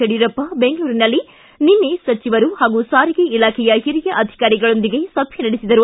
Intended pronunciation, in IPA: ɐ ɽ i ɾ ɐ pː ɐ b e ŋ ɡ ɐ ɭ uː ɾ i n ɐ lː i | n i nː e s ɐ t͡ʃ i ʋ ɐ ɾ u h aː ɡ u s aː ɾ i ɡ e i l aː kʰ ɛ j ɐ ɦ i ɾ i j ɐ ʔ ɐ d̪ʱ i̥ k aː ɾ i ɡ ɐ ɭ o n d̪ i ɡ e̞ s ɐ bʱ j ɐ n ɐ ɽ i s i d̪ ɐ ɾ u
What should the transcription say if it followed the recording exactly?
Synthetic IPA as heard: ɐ ɽ i ɾ ɐ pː ɐ b e ŋ ɡ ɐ ɭ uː ɾ i n ɐ lː i | n i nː e s ɐ t͡ʃ i ʋ ɐ ɾ u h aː ɡ u s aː ɾ i ɡ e i l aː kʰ ɛ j ɐ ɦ i ɾ i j ɐ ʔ ɐ d̪ʱ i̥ k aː ɾ i ɡ ɐ ɭ o n d̪ i ɡ e̞ s ɐ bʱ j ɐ n ɐ ɽ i s i d̪ ɐ ɾ u